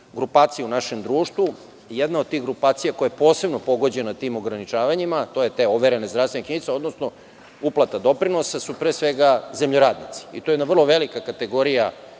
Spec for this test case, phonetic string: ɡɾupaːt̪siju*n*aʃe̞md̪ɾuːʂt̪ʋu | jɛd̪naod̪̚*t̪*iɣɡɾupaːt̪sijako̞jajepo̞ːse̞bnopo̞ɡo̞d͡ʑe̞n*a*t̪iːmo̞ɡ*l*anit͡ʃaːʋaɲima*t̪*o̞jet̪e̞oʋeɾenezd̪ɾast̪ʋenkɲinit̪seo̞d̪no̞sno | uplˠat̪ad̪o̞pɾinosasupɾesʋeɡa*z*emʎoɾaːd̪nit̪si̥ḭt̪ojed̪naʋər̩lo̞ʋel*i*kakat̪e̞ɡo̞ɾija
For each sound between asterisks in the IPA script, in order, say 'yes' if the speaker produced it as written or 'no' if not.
yes, yes, yes, no, yes, yes, yes

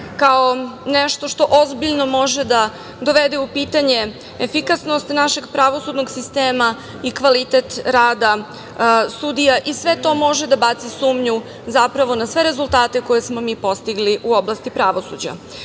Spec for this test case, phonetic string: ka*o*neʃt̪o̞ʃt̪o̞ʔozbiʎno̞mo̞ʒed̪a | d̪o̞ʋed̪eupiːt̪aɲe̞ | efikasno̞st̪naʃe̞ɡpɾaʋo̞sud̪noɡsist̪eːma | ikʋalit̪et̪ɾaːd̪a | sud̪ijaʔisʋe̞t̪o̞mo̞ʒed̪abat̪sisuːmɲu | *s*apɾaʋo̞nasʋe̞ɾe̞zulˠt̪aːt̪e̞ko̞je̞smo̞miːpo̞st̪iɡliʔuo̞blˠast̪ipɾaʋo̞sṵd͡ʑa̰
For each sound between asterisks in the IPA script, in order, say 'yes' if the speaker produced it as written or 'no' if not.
yes, no

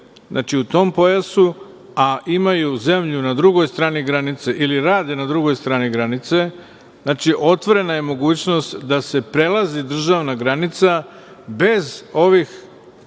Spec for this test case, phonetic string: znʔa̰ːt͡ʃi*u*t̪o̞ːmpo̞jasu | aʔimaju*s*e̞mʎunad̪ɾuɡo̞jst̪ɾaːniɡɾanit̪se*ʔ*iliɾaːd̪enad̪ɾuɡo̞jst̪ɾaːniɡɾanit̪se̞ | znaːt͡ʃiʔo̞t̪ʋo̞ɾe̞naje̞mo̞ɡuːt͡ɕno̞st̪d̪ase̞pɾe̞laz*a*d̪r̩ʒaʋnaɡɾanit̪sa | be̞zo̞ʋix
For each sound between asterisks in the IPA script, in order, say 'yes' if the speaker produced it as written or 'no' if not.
yes, no, yes, no

